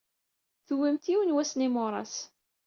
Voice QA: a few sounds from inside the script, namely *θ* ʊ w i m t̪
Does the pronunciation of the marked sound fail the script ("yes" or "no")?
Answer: no